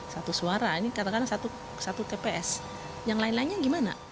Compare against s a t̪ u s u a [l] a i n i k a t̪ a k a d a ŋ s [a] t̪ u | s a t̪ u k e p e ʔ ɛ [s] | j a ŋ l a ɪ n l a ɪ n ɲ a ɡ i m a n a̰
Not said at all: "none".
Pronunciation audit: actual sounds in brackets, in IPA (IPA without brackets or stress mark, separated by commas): ɾ, a, s